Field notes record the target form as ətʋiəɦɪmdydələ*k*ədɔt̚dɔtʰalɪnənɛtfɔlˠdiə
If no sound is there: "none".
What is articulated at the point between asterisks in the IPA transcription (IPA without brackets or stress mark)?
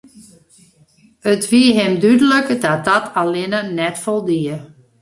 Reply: k